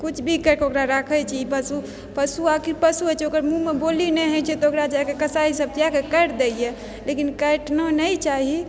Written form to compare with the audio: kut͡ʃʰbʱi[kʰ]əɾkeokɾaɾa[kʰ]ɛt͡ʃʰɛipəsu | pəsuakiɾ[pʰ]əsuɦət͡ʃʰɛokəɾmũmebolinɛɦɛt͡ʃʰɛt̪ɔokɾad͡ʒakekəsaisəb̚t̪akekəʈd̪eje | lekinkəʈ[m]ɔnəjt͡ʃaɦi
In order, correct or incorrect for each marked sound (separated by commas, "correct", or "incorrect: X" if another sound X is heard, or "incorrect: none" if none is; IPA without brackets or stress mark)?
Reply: incorrect: k, correct, incorrect: p, incorrect: n